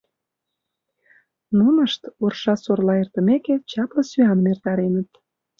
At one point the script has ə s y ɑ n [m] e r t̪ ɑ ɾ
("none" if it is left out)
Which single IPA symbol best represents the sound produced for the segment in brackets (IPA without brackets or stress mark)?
m